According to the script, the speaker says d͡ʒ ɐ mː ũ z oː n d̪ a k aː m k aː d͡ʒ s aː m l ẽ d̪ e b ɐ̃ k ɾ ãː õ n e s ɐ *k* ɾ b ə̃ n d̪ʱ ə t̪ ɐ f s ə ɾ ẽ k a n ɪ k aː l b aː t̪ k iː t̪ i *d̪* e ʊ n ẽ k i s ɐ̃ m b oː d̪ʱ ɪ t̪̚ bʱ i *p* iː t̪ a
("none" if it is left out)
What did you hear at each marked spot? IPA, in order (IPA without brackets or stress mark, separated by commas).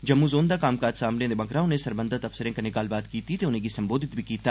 none, t̪, k